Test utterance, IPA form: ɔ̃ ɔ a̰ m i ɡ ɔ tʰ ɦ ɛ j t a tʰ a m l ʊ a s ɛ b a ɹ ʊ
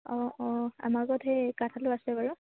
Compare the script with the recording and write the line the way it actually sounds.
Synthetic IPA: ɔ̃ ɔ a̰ m a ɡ ɔ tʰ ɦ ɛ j k a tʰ a l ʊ a s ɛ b a ɹ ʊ

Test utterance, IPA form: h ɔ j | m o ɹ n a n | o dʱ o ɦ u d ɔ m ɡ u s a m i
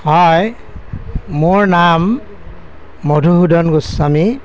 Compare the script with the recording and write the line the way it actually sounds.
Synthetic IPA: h ɔ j | m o ɹ n a m | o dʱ u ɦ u d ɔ n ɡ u s a m i

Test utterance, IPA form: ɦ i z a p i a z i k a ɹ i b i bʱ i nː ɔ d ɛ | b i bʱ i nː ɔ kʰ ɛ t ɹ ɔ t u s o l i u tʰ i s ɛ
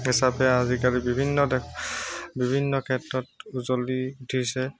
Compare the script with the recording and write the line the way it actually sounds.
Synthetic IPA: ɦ i s a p ɛ a z i k a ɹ i b i bʱ i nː ɔ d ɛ | b i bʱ i nː ɔ kʰ ɛ t ɹ ɔ t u z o l i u tʰ i s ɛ

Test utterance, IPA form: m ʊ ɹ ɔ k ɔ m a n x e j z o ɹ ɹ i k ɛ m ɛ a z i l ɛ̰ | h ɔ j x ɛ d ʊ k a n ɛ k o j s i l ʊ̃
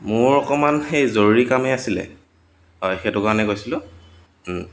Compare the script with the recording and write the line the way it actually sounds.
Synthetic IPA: m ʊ ɹ ɔ k ɔ m a n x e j z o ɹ ɹ i k a m ɛ a s i l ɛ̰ | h ɔ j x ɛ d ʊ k a n ɛ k o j s i l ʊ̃

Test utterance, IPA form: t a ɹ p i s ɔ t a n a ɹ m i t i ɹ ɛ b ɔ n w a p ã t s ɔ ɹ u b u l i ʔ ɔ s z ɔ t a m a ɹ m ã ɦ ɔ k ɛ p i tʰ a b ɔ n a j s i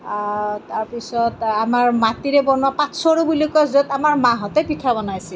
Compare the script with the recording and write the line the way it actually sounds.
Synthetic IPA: t a ɹ p i s ɔ t a m a ɹ m a t i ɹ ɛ b ɔ n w a p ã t s ɔ ɹ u b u l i k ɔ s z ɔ t a m a ɹ m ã ɦ ɔ t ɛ p i tʰ a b ɔ n a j s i

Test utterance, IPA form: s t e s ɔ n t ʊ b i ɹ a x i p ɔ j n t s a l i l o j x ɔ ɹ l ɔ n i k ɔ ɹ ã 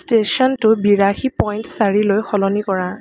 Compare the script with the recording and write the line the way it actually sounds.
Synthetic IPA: s t e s ɔ n t ʊ b i ɹ a x i p ɔ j n t s a ɹ i l o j x ɔ l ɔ n i k ɔ ɹ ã

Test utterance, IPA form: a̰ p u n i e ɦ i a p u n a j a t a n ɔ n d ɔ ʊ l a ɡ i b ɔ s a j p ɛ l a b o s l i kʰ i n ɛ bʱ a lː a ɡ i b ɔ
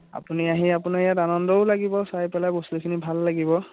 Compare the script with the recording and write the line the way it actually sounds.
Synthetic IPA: a̰ p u n i a ɦ i a p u n a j a t a n ɔ n d ɔ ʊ l a ɡ i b ɔ s a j p ɛ l a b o s l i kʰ i n i bʱ a lː a ɡ i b ɔ

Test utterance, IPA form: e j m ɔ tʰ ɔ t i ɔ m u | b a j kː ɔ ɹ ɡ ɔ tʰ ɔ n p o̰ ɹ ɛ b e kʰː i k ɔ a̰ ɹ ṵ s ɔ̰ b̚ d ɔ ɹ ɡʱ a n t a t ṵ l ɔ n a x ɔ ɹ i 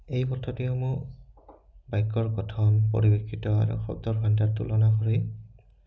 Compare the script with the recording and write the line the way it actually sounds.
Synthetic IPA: e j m ɔ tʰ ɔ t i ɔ m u | b a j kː ɔ ɹ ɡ ɔ tʰ ɔ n p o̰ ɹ i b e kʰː i t ɔ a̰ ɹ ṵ x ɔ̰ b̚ d ɔ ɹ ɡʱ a n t a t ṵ l ɔ n a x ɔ ɹ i

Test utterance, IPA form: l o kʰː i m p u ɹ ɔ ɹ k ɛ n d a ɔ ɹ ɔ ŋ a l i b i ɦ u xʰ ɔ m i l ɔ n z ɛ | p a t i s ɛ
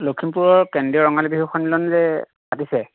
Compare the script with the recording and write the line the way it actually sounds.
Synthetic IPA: l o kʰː i m p u ɹ ɔ ɹ k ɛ n d i ɔ ɹ ɔ ŋ a l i b i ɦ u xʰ ɔ n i l ɔ n z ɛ | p a t i s ɛ

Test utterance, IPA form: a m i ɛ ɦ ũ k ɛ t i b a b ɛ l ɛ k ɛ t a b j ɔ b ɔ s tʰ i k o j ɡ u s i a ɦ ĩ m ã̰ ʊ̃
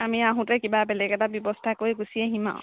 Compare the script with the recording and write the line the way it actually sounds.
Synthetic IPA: a m i a ɦ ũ t ɛ k i b a b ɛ l ɛ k ɛ t a b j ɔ b ɔ s tʰ a k o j ɡ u s i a ɦ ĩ m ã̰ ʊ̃

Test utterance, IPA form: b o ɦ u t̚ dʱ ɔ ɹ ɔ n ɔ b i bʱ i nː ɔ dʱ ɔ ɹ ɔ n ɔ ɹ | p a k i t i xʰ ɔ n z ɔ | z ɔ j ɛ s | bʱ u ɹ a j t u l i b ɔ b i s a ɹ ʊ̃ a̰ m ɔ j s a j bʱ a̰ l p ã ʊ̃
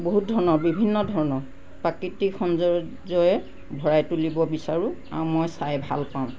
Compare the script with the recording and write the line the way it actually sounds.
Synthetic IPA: b o ɦ u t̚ dʱ ɔ ɹ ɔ n ɔ b i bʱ i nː ɔ dʱ ɔ ɹ ɔ n ɔ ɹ | p a k i t i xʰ ɔ n z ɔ | z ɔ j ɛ | bʱ ɔ ɹ a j t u l i b ɔ b i s a ɹ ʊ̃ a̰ m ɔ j s a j bʱ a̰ l p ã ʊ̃

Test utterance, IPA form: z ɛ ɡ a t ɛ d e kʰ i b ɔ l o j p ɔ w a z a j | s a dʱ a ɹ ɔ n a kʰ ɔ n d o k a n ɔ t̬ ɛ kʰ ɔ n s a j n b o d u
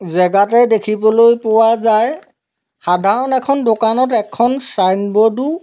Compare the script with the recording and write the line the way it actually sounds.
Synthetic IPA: z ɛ ɡ a t ɛ d e kʰ i b ɔ l o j p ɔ w a z a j | x a dʱ a ɹ ɔ n ɛ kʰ ɔ n d o k a n ɔ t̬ ɛ kʰ ɔ n s a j n b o d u

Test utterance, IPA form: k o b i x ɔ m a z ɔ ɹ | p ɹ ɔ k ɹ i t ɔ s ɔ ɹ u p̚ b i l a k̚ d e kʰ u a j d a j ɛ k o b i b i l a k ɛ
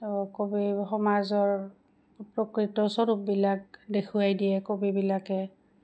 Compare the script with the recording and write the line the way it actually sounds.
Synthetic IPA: k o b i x ɔ m a z ɔ ɹ | p ɹ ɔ k ɹ i t ɔ s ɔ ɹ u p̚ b i l a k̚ d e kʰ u a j d i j ɛ k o b i b i l a k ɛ

